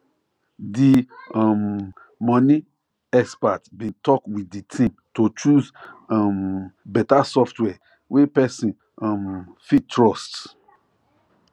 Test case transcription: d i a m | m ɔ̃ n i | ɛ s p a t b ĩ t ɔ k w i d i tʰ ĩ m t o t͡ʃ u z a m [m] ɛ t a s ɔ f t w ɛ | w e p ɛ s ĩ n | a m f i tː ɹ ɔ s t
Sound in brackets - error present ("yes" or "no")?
yes